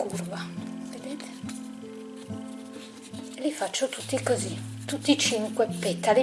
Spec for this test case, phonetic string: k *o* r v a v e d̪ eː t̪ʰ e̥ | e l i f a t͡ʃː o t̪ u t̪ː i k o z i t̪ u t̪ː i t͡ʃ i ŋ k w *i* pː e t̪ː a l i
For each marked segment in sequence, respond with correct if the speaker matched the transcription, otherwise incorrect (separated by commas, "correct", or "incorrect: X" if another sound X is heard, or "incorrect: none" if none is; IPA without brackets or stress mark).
incorrect: u, incorrect: e